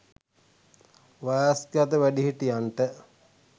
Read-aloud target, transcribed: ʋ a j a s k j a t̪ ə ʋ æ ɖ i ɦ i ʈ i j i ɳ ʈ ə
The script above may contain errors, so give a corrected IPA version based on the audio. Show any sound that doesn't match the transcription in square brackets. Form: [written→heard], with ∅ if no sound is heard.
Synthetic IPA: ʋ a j a s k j a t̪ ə ʋ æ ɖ i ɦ i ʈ i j [i→a] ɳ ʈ ə